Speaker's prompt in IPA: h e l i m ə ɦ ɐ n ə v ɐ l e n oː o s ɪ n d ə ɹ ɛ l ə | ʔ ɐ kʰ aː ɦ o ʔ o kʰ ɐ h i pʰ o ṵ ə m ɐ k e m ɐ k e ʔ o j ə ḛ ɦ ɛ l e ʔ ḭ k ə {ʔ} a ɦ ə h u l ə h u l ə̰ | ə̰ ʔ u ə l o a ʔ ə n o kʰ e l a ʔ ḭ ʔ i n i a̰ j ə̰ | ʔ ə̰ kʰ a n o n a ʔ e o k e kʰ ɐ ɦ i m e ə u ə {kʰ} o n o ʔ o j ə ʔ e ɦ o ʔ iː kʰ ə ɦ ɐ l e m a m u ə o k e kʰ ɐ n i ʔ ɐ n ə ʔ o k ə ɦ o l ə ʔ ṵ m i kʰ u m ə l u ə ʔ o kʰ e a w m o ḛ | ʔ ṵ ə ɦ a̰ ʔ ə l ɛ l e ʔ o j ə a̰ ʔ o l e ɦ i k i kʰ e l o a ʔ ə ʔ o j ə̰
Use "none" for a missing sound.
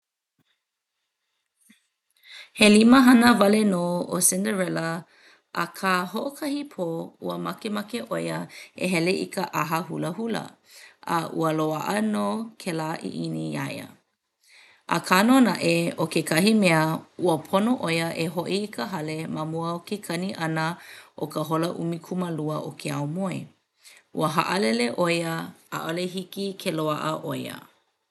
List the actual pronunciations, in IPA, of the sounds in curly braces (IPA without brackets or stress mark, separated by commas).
ʔ, pʰ